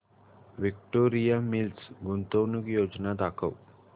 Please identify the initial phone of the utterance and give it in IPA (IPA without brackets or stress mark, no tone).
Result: ʋ